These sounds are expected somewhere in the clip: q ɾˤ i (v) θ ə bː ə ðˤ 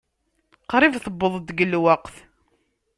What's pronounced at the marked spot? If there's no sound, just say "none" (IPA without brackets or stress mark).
v